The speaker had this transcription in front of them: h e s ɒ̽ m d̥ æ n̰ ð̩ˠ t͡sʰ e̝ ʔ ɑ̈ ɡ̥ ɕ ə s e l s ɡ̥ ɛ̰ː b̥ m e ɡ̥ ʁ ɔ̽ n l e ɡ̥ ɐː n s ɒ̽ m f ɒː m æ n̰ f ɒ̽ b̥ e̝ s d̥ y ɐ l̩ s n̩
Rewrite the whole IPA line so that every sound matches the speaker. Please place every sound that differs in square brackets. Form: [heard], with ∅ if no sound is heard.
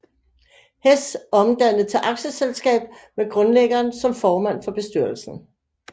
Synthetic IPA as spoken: h e s ɒ̽ m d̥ æ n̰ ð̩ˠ t͡sʰ e̝ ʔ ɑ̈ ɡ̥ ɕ ə s e l s ɡ̥ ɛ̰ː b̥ m e ɡ̥ ʁ ɔ̽ n l e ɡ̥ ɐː n s ɒ̽ m f ɒː m æ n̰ f ɒ̽ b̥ e̝ s d̥ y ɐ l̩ s n̩